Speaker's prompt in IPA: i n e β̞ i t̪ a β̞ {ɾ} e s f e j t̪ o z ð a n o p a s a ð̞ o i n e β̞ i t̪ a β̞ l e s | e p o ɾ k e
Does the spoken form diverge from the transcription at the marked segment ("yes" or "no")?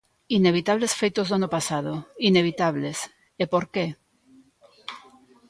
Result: yes